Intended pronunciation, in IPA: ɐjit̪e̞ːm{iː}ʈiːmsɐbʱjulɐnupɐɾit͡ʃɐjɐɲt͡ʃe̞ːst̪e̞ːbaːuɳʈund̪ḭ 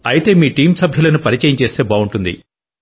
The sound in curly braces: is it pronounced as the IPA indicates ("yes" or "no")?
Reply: yes